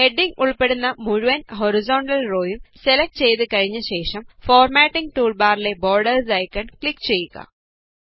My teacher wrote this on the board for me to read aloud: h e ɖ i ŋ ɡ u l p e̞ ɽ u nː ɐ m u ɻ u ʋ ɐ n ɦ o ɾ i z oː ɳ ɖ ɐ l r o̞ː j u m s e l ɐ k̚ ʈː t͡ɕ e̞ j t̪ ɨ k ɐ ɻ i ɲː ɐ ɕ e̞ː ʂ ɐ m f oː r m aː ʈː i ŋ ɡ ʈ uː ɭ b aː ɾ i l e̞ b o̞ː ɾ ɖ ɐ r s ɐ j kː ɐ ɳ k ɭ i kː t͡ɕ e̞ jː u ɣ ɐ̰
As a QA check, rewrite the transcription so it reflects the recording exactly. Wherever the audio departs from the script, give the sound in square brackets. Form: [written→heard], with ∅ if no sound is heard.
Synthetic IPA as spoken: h e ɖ i ŋ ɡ u [l→ɭ] p e̞ ɽ u nː ɐ m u ɻ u ʋ ɐ n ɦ o ɾ i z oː ɳ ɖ ɐ l r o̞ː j u m s e l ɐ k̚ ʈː t͡ɕ e̞ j t̪ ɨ k ɐ ɻ i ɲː ɐ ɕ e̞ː ʂ ɐ m f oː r m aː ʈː i ŋ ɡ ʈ uː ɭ b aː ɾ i l e̞ b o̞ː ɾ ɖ ɐ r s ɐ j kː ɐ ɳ k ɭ i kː t͡ɕ e̞ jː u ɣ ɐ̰

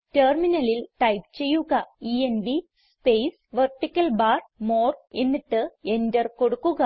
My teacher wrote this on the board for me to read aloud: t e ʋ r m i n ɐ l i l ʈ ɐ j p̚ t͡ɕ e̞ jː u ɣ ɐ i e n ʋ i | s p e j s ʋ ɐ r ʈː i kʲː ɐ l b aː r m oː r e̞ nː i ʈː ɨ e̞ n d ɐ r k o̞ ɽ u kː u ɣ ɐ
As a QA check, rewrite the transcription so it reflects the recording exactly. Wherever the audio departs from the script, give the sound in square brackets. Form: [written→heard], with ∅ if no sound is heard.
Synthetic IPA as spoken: t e [ʋ→∅] r m i n ɐ l i l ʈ ɐ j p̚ t͡ɕ e̞ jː u ɣ ɐ i e n ʋ i | s p e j s ʋ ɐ r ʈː i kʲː ɐ l b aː r m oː r e̞ nː i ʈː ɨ e̞ n d ɐ r k o̞ ɽ u kː u ɣ ɐ

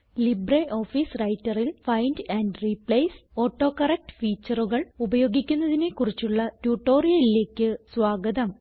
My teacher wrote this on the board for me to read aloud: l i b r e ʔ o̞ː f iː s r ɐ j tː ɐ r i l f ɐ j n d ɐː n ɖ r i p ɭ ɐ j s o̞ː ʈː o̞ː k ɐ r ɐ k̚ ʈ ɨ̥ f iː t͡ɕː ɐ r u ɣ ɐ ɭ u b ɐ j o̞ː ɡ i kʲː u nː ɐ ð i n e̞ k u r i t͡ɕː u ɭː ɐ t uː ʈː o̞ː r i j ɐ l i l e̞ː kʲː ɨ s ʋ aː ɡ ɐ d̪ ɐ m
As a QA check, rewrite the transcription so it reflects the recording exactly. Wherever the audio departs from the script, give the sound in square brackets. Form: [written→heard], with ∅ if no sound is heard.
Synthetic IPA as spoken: l i b r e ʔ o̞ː f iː s r ɐ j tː ɐ r i l f ɐ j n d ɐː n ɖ r i p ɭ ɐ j s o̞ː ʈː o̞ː k ɐ r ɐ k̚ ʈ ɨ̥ f iː t͡ɕː ɐ r u ɣ ɐ ɭ u b ɐ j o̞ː ɡ i kʲː u nː ɐ ð i n e̞ k u r i t͡ɕː u ɭː ɐ t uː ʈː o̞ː r i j ɐ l i l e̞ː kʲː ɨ s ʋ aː ɡ ɐ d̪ ɐ m

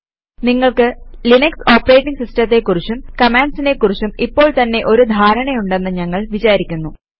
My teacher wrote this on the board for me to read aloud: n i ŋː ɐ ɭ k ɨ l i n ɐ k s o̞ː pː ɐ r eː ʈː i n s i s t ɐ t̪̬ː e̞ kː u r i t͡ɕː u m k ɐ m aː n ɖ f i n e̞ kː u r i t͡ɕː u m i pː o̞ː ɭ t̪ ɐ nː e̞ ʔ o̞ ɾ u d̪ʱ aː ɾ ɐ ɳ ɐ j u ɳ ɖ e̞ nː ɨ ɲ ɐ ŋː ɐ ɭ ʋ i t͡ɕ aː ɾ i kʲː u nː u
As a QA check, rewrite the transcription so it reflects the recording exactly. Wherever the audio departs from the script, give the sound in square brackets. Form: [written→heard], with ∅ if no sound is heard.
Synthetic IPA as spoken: n i ŋː ɐ ɭ k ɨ l i n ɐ k s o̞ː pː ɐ r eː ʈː i [n→ŋ] s i s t ɐ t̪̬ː e̞ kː u r i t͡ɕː u m k ɐ m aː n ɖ [f→s] i n e̞ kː u r i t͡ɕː u m i pː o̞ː ɭ t̪ ɐ nː e̞ ʔ o̞ ɾ u d̪ʱ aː ɾ ɐ ɳ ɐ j u ɳ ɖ e̞ nː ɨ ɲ ɐ ŋː ɐ ɭ ʋ i t͡ɕ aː ɾ i kʲː u nː u

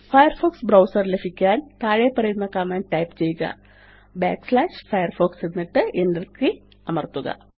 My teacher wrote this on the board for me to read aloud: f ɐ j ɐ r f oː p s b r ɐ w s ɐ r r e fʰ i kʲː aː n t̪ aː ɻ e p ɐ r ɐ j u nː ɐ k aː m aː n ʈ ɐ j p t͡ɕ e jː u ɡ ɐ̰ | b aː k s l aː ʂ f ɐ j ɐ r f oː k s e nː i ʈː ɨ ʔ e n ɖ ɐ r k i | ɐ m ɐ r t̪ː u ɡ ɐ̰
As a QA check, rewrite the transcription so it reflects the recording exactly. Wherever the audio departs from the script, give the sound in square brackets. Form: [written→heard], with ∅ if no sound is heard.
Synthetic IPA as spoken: f ɐ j ɐ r f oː [p→k] s b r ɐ w s ɐ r [r→l] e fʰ i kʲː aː n t̪ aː ɻ e p ɐ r ɐ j u nː ɐ k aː m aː n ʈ ɐ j p t͡ɕ e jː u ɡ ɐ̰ | b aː k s l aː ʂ f ɐ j ɐ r f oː k s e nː i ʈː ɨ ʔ e n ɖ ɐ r k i | ɐ m ɐ r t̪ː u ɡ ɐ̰

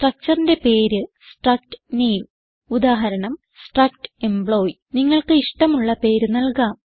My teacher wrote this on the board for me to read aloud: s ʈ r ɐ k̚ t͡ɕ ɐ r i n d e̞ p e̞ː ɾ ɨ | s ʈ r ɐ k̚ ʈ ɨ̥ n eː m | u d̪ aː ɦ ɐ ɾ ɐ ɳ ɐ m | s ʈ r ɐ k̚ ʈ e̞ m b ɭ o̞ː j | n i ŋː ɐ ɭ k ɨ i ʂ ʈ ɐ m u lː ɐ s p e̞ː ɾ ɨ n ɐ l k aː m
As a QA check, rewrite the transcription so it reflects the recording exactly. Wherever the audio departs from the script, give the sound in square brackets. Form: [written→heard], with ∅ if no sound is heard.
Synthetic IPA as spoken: s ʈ r ɐ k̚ t͡ɕ ɐ r i n d e̞ p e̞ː ɾ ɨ | s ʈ r ɐ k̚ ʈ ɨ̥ n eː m | u d̪ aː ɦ ɐ ɾ ɐ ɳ ɐ m | s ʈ r ɐ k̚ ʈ e̞ m b ɭ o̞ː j | n i ŋː ɐ ɭ k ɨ i ʂ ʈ ɐ m u [lː→ɭː] ɐ [s→∅] p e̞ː ɾ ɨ n ɐ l k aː m

